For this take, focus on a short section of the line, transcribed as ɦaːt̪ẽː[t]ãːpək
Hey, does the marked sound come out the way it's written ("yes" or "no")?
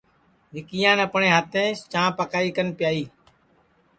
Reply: no